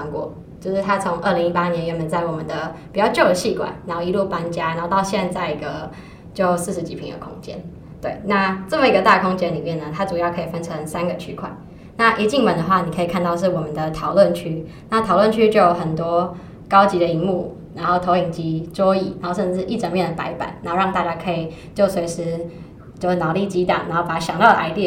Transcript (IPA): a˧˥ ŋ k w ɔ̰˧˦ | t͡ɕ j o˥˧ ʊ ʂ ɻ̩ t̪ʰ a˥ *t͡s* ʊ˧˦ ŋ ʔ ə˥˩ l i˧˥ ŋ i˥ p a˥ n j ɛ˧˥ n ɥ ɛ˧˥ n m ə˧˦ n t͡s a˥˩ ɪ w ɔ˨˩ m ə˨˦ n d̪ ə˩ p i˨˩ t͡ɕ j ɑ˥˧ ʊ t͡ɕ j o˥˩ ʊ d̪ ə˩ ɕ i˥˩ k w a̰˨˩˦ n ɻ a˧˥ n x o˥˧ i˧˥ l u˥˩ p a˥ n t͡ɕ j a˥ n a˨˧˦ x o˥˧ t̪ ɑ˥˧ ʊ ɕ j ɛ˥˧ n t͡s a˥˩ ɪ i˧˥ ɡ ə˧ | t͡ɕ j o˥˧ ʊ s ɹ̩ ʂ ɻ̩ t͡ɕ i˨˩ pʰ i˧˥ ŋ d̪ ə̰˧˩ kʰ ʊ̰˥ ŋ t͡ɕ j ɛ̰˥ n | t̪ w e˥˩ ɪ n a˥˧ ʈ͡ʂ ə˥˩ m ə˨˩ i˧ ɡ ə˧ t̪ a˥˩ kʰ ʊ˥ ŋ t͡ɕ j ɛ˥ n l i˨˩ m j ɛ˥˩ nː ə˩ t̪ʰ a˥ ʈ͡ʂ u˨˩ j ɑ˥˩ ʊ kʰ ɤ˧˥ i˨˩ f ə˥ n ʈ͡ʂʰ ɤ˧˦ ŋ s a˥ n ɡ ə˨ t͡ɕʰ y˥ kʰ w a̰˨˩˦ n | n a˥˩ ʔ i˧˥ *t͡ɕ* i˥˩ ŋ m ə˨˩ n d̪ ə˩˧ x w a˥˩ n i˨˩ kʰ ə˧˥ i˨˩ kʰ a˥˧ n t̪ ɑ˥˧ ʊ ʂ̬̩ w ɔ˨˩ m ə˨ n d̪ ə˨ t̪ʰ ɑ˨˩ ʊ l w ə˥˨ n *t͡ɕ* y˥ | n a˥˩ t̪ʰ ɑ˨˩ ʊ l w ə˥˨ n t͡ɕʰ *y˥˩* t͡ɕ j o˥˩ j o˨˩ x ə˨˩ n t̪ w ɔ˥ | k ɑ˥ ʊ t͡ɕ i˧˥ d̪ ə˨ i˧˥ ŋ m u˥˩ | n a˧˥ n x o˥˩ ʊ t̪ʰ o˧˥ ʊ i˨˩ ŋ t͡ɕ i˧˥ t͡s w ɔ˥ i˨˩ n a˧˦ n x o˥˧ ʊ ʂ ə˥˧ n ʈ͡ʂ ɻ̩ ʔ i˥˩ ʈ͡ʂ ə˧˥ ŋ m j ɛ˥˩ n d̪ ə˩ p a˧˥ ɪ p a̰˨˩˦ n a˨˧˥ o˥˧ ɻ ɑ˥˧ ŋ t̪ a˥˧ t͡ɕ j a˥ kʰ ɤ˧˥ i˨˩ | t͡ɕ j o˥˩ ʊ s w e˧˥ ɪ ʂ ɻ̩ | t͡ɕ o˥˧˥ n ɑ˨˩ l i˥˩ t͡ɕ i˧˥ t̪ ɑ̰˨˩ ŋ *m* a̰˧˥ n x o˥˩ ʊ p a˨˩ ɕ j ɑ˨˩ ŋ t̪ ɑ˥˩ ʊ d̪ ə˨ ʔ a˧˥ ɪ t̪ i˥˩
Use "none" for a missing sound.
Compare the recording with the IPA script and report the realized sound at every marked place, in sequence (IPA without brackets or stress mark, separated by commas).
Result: t͡sʰ, t͡ɕ, t͡ɕʰ, y˥, n